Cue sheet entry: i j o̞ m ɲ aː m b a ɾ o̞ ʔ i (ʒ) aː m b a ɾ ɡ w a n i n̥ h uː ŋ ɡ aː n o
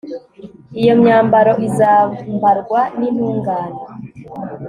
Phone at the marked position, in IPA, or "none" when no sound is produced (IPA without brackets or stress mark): z